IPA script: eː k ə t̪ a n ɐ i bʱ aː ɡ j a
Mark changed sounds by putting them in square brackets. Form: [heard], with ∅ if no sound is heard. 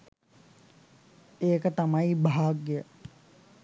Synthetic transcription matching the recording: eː k ə t̪ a [m] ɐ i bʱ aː ɡ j [ə]